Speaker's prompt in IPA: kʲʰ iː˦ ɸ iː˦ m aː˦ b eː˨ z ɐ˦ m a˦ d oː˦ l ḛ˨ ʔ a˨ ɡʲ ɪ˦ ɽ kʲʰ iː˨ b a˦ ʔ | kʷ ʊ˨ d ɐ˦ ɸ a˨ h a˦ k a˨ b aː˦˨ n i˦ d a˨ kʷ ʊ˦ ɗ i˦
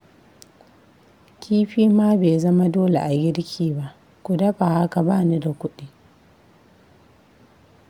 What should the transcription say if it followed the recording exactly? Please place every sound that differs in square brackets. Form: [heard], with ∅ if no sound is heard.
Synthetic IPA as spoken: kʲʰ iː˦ ɸ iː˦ m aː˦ b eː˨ z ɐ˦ m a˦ d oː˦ l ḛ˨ ʔ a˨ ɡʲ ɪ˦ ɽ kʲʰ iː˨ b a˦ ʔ | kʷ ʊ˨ d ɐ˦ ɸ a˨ h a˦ k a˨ b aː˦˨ n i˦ d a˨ kʷ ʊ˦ ɗ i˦